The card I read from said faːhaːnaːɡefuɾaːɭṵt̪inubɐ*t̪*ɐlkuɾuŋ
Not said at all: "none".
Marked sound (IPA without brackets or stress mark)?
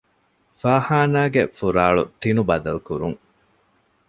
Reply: d̪